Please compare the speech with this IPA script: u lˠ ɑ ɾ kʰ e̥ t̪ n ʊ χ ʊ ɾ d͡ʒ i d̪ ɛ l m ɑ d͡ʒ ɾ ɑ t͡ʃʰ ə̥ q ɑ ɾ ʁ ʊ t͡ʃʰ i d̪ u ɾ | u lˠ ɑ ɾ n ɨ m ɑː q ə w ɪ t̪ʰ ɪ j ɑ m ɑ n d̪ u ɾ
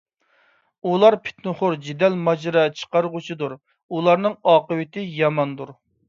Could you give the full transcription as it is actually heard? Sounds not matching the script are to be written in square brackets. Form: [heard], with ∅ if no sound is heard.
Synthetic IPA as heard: u lˠ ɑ ɾ [pʰ] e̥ t̪ n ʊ χ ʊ ɾ d͡ʒ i d̪ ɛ l m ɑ d͡ʒ ɾ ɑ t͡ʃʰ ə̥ q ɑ ɾ ʁ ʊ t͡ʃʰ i d̪ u ɾ | u lˠ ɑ ɾ n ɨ [ŋ] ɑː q ə w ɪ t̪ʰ ɪ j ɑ m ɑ n d̪ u ɾ